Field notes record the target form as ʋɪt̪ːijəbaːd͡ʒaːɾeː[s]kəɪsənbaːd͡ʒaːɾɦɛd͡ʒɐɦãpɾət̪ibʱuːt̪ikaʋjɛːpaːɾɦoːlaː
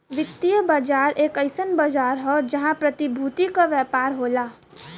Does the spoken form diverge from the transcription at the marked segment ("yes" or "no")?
yes